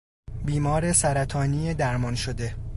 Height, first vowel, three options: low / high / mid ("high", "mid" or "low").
high